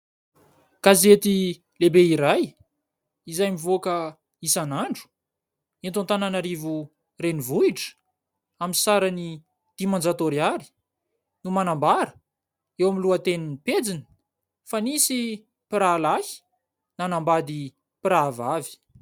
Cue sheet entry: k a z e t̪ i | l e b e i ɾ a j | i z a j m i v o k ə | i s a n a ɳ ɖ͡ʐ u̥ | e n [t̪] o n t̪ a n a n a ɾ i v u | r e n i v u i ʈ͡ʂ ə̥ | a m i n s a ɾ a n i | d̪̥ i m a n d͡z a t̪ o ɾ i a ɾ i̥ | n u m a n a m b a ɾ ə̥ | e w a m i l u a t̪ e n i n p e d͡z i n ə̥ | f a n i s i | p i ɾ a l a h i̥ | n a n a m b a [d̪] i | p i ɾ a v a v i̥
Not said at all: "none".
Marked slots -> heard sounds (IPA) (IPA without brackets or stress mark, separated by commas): t̪, d̪